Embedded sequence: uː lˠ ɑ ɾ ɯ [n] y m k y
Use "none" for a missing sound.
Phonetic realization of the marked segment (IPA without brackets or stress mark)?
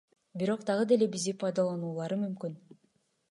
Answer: m